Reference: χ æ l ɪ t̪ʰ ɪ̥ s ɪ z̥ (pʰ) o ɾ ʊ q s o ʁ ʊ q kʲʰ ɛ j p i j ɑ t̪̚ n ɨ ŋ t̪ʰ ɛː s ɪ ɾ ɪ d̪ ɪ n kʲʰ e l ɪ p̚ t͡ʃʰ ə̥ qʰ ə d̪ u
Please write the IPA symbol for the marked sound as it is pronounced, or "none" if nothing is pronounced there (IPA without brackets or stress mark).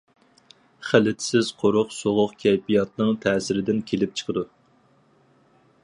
qʰ